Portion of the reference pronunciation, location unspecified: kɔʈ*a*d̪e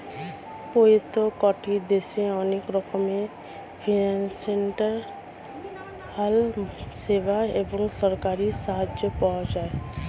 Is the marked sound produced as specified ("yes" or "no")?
no